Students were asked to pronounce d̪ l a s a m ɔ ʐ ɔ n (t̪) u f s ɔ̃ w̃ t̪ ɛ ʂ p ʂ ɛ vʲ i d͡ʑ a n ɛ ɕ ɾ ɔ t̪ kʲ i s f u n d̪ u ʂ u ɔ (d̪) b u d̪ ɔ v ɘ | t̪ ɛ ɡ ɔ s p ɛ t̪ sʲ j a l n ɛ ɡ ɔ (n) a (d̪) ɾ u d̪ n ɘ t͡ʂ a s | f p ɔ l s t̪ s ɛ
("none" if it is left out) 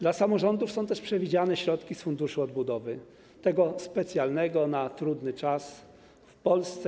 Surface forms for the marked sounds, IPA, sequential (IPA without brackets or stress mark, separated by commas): d̪, d̪, n, t̪